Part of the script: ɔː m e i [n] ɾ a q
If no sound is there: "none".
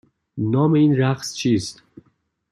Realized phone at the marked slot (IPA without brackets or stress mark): n